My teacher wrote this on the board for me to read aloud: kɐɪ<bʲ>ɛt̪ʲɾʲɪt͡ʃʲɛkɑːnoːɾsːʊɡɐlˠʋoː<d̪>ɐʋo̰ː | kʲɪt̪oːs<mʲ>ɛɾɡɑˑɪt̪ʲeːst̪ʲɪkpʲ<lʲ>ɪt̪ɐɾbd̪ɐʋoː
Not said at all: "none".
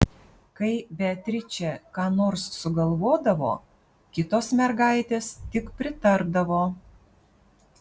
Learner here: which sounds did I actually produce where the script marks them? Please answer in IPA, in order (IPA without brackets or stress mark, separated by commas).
bʲ, d̪, mʲ, ɾʲ